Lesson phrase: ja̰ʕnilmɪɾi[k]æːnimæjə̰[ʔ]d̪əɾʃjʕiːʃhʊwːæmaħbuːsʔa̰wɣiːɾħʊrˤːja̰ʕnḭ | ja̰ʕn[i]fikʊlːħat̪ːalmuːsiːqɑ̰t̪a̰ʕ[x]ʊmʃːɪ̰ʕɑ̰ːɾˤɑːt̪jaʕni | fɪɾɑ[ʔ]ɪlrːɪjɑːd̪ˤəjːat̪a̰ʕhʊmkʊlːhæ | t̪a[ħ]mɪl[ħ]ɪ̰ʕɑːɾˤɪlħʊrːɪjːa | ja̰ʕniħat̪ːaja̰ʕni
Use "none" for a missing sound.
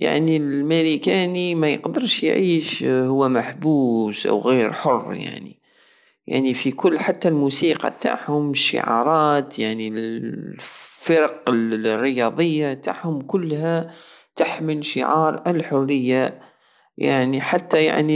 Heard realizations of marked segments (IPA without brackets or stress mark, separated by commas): k, q, i, h, q, ħ, ʃ